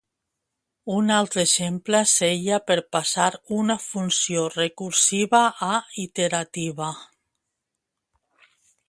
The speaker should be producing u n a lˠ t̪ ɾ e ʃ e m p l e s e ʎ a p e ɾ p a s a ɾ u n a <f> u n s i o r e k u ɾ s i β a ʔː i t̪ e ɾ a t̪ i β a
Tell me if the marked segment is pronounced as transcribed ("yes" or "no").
yes